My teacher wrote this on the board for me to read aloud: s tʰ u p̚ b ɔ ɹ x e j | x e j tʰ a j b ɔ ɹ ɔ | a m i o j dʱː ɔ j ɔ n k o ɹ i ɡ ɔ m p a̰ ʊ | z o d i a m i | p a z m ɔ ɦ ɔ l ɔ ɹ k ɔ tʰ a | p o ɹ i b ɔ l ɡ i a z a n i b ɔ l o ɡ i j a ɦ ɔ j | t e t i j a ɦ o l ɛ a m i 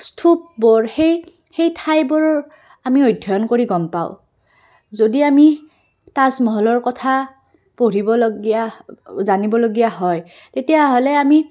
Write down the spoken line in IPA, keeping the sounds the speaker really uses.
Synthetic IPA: s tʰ u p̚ b ɔ ɹ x e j | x e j tʰ a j b ɔ ɹ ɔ | a m i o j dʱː ɔ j ɔ n k o ɹ i ɡ ɔ m p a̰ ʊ | z o d i a m i | t a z m ɔ ɦ ɔ l ɔ ɹ k ɔ tʰ a | p o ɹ i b ɔ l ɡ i a z a n i b ɔ l o ɡ i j a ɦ ɔ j | t e t i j a ɦ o l ɛ a m i